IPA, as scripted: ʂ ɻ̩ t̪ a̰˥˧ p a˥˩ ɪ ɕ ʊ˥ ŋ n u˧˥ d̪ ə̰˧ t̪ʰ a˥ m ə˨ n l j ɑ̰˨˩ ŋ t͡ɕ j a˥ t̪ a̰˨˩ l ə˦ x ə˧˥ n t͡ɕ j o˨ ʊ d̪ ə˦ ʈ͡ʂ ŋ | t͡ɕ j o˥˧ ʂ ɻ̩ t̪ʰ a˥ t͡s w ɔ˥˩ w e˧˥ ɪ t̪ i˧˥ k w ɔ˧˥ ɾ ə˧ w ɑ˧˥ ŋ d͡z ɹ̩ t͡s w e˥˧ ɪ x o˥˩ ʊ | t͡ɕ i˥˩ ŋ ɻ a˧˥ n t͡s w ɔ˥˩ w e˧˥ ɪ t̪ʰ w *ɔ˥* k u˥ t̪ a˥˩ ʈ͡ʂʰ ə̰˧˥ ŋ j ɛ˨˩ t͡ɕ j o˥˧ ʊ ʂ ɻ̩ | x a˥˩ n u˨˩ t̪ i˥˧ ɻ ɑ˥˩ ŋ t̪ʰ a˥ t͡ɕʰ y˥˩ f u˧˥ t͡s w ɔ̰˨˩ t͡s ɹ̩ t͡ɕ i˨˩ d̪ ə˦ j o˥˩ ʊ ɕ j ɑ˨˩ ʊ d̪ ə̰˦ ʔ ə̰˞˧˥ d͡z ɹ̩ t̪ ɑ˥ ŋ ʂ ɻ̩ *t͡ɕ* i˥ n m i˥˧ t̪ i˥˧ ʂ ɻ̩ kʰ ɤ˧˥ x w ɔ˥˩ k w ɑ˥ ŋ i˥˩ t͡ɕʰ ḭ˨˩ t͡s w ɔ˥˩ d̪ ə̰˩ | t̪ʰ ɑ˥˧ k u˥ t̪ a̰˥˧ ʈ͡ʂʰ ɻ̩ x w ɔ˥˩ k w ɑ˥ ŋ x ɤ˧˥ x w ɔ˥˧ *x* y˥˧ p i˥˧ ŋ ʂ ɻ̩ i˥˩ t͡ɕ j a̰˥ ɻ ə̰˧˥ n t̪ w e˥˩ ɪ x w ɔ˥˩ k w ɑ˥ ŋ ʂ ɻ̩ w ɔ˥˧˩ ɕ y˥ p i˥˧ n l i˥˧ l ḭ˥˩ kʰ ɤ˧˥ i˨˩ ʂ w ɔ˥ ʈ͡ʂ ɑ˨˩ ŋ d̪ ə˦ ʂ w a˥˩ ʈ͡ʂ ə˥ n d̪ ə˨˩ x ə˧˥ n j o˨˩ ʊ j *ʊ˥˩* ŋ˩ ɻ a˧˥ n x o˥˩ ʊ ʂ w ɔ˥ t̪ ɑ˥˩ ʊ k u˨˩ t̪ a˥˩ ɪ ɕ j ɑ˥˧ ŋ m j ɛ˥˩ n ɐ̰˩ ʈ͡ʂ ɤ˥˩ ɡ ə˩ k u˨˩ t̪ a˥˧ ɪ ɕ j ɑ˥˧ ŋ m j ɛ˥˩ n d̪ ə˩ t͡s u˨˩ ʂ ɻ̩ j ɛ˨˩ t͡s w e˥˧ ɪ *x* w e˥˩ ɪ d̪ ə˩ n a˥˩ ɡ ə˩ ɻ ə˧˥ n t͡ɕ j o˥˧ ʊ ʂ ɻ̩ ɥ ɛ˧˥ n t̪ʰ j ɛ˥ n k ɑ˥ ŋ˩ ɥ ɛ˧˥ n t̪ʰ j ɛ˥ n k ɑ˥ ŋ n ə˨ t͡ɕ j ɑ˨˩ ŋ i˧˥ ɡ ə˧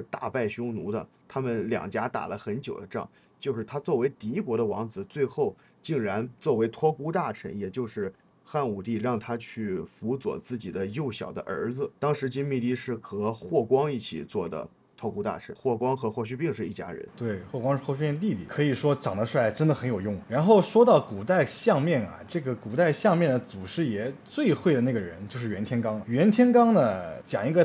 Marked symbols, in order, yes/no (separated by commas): yes, yes, no, yes, yes